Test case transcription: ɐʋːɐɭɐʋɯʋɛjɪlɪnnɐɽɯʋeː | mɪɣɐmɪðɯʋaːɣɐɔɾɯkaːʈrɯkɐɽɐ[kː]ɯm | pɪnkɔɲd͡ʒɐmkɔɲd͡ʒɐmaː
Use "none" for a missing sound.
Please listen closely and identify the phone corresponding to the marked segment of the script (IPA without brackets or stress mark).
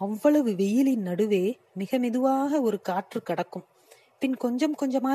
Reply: kː